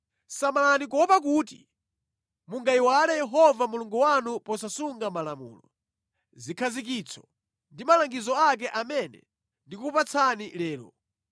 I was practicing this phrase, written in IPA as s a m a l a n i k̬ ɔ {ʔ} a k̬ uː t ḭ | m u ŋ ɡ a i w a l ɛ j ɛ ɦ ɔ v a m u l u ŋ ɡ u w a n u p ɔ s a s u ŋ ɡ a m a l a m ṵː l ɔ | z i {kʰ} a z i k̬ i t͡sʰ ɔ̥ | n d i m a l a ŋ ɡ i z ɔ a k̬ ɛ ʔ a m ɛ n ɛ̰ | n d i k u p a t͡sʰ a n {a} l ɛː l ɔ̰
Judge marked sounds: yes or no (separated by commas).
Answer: no, yes, no